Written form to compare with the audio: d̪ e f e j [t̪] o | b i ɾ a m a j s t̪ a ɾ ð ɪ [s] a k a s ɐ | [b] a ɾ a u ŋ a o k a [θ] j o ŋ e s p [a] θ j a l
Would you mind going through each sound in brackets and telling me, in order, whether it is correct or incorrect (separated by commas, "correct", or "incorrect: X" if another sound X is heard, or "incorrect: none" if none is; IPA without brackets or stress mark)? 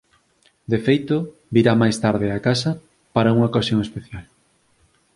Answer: correct, incorrect: none, incorrect: p, incorrect: s, incorrect: e